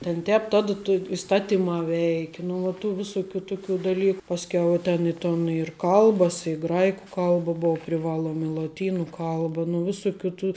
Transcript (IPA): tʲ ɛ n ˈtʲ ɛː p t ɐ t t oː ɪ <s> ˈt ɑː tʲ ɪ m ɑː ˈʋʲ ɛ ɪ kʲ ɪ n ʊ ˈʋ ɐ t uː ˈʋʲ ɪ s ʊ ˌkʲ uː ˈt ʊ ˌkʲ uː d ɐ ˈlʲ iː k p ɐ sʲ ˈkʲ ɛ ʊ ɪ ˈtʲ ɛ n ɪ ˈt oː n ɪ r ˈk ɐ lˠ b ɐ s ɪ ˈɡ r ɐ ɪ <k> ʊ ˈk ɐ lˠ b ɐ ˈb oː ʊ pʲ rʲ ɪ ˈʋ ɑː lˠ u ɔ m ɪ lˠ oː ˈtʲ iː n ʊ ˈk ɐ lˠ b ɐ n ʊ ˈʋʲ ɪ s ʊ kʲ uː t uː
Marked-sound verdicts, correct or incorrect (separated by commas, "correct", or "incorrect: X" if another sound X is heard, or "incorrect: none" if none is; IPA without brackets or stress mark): correct, correct